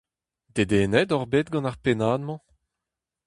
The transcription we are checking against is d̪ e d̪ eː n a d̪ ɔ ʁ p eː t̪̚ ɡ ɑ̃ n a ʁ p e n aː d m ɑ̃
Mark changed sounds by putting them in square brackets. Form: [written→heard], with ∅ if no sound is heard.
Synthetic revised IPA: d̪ e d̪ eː n [a→ɛ] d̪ ɔ ʁ [p→b] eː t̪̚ ɡ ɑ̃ n a ʁ p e n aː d m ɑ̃